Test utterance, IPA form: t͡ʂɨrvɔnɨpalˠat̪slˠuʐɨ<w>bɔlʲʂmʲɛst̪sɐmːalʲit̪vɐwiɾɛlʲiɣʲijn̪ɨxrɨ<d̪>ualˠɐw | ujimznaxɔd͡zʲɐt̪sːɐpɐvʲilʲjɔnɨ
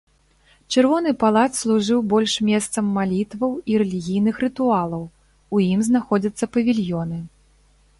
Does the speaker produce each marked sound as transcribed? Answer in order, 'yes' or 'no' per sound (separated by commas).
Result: yes, no